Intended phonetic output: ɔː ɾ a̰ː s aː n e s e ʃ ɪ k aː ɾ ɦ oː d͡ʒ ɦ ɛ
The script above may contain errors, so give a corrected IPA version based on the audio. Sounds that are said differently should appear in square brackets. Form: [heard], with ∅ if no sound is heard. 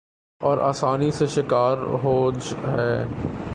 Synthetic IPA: ɔː ɾ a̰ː s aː n [i] s e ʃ ɪ k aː ɾ ɦ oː d͡ʒ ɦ [ɛː]